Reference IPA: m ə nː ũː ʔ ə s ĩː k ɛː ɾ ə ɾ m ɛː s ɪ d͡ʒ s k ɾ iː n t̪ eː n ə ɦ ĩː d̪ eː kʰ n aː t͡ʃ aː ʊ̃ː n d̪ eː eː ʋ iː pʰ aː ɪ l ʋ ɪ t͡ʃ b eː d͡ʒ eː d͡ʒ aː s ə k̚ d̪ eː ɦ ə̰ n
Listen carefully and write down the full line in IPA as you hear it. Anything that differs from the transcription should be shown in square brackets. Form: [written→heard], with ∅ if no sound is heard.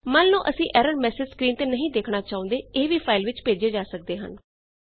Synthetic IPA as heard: m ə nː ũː ʔ ə s ĩː [k→ʔ] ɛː ɾ ə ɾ m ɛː s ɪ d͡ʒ s k ɾ iː n t̪ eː n ə ɦ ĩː d̪ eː kʰ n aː t͡ʃ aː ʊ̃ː n d̪ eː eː ʋ iː pʰ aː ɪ l ʋ ɪ t͡ʃ [b→p] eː d͡ʒ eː d͡ʒ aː s ə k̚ d̪ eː ɦ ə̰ n